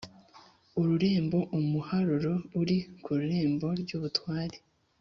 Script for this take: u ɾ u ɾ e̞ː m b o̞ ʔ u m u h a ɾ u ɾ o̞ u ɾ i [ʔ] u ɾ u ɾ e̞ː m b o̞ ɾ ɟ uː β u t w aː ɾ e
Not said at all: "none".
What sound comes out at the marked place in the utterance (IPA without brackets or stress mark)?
k